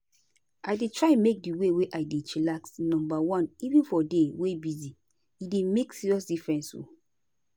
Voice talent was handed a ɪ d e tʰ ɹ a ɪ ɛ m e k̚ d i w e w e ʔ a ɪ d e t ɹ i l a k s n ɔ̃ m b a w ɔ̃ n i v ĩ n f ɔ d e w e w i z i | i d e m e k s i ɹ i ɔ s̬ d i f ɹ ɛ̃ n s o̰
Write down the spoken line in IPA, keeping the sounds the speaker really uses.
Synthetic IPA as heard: a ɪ d e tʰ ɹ a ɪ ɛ m e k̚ d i w e w e ʔ a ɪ d e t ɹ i l a k s n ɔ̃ m b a w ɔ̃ n i v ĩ n f ɔ d e w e b i z i | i d e m e k s i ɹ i ɔ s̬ d i f ɹ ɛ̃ n s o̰